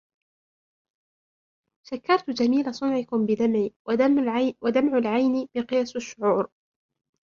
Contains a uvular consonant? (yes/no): yes